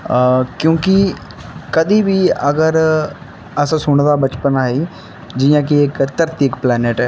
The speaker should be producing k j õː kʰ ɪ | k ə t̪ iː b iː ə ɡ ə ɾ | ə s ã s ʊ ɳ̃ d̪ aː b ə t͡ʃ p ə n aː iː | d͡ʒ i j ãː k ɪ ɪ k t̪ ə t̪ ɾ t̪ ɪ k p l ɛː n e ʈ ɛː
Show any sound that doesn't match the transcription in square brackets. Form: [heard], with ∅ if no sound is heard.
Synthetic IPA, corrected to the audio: k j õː [k] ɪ | k ə [d̪] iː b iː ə ɡ ə ɾ | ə s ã s ʊ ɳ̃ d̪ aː b ə t͡ʃ p ə n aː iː | d͡ʒ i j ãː k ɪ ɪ k t̪ ə [∅] ɾ t̪ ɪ k p l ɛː n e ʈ ɛː